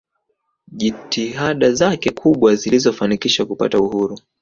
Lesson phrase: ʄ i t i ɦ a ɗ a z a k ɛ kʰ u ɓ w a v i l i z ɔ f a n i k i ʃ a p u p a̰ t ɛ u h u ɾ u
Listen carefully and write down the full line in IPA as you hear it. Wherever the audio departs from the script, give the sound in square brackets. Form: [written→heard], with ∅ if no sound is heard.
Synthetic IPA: ʄ i t i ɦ a ɗ a z a k ɛ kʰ u ɓ w a [v→z] i l i z ɔ f a n i k i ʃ a [p→k] u p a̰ t [ɛ→a] u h u ɾ u